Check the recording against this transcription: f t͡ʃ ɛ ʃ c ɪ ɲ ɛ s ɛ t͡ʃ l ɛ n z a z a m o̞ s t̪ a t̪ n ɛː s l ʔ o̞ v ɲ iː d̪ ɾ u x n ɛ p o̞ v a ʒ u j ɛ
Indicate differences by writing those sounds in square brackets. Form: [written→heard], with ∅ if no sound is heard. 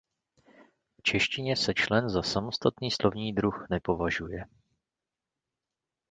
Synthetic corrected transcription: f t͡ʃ ɛ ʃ c ɪ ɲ ɛ s ɛ t͡ʃ l ɛ n z a [z→s] a m o̞ s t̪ a t̪ n [ɛː→iː] s l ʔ o̞ v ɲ iː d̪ ɾ u x n ɛ p o̞ v a ʒ u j ɛ